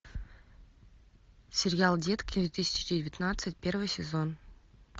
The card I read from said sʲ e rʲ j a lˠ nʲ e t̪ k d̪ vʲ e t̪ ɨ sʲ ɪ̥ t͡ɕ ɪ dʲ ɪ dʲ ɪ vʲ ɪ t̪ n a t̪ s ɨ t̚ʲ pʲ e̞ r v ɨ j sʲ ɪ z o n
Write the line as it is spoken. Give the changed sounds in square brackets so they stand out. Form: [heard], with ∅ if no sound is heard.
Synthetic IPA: sʲ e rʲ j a lˠ [dʲ] e t̪ k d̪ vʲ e t̪ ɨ sʲ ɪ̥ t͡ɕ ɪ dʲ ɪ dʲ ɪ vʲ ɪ t̪ n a t̪ s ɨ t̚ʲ pʲ e̞ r v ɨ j sʲ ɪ z o n